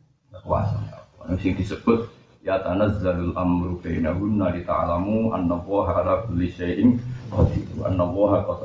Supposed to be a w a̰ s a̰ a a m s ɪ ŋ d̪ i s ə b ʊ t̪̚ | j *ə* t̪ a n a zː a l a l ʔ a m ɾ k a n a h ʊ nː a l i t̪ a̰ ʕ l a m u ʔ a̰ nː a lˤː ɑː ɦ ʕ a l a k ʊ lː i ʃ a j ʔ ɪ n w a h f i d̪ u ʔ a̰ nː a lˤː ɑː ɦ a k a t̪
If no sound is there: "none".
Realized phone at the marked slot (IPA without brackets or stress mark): a